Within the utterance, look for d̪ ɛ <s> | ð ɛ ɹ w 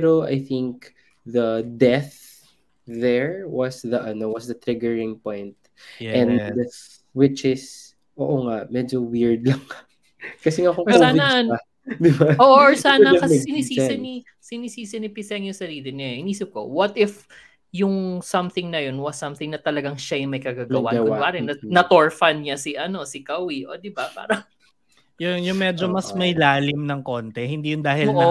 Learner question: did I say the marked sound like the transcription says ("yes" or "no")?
no